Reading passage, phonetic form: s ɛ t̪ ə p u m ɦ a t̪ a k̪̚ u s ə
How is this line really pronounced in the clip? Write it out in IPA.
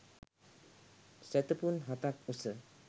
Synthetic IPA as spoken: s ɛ t̪ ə p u n ɦ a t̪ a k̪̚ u s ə